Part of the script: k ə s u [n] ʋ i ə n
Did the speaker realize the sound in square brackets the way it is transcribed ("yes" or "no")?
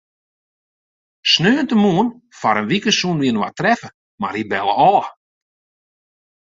yes